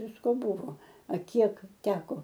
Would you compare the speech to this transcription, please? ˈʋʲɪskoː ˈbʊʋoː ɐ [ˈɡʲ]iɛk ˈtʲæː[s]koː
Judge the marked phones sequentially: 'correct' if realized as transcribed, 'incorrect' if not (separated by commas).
incorrect, incorrect